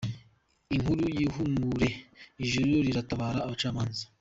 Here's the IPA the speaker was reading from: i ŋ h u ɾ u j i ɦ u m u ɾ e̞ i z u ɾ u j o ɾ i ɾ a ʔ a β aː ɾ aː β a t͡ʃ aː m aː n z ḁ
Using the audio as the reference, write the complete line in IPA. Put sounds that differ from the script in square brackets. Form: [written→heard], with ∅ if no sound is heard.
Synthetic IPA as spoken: i ŋ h u ɾ u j i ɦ u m u ɾ e̞ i [z→ʒ] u ɾ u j o ɾ i ɾ a [ʔ→t] a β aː ɾ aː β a t͡ʃ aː m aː n z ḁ